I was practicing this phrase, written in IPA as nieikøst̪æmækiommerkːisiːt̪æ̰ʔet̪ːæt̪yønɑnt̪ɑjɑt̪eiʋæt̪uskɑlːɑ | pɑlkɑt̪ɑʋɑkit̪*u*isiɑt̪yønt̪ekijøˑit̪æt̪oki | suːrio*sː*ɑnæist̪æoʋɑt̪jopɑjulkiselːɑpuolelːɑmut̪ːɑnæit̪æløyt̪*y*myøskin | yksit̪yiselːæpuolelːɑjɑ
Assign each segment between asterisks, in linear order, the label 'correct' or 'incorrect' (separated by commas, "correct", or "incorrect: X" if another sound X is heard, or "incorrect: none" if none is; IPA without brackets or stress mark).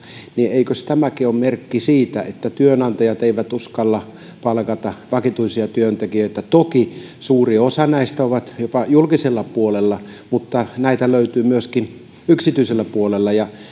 correct, incorrect: s, incorrect: yː